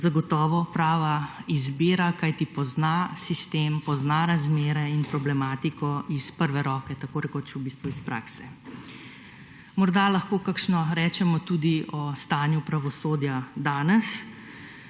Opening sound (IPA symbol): z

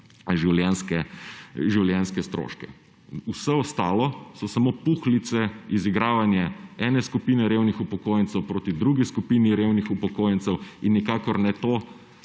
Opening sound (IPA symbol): ʒ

